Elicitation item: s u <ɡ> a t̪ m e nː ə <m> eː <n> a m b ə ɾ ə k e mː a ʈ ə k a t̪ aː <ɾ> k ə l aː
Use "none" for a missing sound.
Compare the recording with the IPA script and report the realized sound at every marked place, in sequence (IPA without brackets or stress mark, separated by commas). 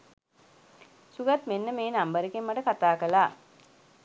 ɡ, m, n, none